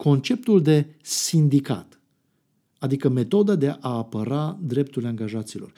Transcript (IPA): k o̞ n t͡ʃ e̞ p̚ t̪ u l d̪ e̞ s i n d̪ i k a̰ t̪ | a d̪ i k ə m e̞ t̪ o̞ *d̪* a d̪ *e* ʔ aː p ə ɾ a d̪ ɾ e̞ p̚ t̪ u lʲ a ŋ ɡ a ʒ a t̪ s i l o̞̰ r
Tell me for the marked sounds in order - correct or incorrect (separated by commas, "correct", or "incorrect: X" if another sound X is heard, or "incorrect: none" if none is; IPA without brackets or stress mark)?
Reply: correct, correct